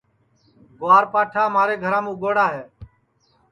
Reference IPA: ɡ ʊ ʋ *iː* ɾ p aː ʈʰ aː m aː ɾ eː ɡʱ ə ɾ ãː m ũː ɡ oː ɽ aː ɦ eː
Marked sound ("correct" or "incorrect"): incorrect